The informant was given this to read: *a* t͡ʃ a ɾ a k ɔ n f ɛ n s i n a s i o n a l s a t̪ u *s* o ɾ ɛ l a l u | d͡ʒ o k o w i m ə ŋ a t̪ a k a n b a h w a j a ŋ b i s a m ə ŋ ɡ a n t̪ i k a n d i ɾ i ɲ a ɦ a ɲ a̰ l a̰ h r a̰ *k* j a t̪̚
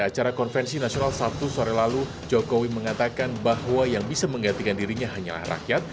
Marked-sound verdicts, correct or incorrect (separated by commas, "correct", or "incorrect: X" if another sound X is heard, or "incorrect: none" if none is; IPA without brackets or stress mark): correct, correct, correct